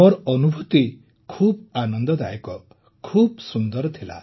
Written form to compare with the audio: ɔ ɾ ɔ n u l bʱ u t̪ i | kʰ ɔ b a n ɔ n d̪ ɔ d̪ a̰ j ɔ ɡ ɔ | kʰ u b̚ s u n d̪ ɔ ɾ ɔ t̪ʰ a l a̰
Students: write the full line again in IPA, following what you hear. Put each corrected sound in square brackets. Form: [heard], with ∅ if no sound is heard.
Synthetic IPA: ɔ ɾ ɔ n u [∅] bʱ u t̪ i | kʰ [u] b a n ɔ n d̪ ɔ d̪ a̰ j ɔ [k] ɔ | kʰ u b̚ s u n d̪ ɔ ɾ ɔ t̪ʰ [i] l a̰